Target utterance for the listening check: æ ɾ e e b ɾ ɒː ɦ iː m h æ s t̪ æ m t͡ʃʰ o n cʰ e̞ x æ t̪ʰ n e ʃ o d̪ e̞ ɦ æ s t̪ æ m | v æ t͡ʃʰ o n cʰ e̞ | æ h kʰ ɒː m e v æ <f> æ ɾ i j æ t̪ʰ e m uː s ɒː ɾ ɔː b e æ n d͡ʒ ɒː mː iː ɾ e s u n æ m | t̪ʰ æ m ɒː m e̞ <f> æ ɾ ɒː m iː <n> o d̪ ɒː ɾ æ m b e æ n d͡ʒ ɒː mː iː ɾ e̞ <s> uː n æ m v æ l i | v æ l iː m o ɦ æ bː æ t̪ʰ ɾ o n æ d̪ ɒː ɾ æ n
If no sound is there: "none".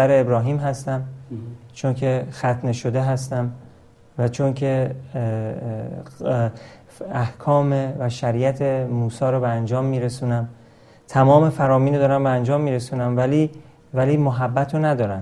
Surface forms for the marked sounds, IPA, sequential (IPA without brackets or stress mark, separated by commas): ʃ, f, n, s